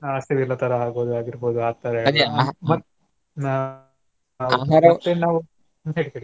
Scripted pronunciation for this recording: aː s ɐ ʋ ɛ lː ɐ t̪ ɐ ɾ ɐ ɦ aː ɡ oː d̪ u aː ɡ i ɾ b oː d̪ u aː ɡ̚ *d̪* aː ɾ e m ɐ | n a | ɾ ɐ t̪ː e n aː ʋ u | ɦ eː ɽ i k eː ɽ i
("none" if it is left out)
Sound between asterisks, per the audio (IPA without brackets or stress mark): t̪